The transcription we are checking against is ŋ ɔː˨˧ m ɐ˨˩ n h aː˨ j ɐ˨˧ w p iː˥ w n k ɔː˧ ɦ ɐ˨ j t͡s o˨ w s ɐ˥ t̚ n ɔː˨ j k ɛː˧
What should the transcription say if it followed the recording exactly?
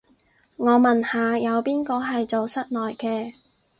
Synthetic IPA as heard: ŋ ɔː˨˧ m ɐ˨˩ n h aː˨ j ɐ˨˧ w p iː˥ n k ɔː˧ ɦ ɐ˨ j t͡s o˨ w s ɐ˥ t̚ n ɔː˨ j k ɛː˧